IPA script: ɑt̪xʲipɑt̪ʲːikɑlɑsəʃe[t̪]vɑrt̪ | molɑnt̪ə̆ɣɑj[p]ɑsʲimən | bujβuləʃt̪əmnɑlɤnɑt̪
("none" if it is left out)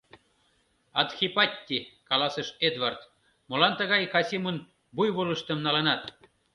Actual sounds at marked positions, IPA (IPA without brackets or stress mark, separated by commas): d̪, k